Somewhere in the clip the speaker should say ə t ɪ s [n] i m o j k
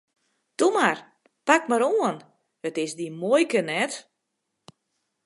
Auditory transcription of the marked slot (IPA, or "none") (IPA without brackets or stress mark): d